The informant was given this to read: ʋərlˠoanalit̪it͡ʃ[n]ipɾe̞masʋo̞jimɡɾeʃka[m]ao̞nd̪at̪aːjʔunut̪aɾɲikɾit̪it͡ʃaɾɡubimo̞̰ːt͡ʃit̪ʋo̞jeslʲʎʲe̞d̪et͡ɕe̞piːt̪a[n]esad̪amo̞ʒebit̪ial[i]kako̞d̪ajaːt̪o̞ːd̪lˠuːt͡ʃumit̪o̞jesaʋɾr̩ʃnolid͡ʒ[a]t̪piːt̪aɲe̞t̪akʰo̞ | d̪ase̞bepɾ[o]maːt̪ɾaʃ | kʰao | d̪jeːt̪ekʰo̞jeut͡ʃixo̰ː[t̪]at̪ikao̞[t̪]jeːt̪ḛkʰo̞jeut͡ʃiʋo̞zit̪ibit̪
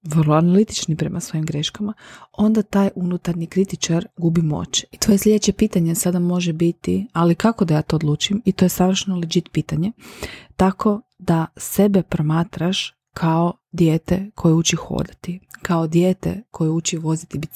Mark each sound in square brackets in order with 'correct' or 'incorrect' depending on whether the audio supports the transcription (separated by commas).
correct, correct, incorrect, correct, incorrect, correct, incorrect, incorrect